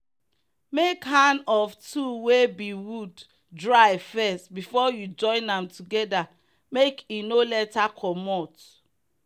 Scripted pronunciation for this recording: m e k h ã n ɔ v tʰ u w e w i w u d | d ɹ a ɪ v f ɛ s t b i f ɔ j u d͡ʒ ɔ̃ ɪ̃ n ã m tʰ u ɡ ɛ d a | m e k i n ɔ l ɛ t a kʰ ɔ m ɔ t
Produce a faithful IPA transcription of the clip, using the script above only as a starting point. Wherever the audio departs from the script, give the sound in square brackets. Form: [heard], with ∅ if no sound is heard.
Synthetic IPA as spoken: m e k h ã n ɔ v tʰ u w e [b] i w u d | d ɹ a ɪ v f ɛ s t b i f ɔ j u d͡ʒ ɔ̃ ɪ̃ n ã m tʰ u ɡ ɛ d a | m e k i n [o] l ɛ t a kʰ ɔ m ɔ t